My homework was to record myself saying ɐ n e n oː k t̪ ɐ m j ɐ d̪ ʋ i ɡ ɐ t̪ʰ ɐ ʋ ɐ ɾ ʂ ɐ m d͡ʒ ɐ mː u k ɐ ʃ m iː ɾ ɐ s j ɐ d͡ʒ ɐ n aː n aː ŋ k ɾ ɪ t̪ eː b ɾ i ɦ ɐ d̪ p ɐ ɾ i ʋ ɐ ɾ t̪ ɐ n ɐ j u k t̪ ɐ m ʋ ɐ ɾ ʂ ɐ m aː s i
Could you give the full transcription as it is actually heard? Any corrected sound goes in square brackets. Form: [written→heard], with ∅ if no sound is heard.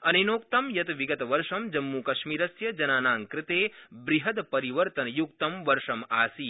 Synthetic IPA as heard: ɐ n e n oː k t̪ ɐ m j ɐ [d̪→t̪] ʋ i ɡ ɐ [t̪ʰ→t̪] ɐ ʋ ɐ ɾ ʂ ɐ m d͡ʒ ɐ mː u k ɐ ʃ m iː ɾ ɐ s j ɐ d͡ʒ ɐ n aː n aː ŋ k ɾ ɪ t̪ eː b ɾ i ɦ ɐ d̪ p ɐ ɾ i ʋ ɐ ɾ t̪ ɐ n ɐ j u k t̪ ɐ m ʋ ɐ ɾ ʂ ɐ m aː s i